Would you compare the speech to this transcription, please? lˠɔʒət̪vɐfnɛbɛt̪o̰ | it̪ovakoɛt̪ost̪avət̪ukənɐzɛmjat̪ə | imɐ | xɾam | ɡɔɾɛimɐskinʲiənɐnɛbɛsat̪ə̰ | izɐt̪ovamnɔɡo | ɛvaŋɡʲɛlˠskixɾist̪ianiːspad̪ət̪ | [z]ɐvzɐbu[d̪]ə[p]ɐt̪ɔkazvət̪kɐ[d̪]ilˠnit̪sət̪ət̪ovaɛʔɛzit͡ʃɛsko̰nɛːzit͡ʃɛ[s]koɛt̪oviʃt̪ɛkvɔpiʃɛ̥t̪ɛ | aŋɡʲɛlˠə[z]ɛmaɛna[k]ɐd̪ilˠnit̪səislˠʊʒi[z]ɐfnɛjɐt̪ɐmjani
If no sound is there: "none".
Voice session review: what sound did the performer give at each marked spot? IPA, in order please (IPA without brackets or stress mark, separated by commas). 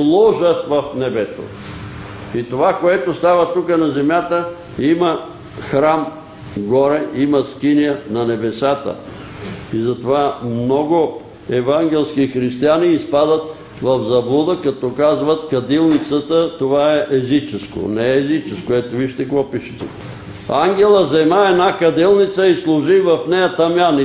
v, d̪, k, d̪, s, z, k, v